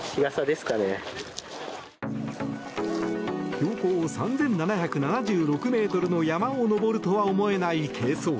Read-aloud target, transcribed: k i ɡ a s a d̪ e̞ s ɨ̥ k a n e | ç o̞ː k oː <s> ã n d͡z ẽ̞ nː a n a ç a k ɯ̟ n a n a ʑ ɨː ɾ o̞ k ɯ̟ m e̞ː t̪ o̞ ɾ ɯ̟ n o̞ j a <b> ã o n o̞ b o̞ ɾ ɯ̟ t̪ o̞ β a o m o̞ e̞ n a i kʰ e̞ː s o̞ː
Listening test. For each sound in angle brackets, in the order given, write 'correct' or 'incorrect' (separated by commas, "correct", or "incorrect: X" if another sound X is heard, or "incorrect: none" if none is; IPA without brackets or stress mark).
correct, incorrect: m